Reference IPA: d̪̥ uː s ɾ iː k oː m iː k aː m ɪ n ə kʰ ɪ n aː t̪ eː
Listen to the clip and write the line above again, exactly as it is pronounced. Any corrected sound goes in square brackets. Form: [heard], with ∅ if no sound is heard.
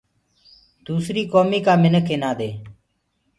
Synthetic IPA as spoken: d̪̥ uː s ɾ iː k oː m iː k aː m ɪ n ə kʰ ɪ n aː [d̪] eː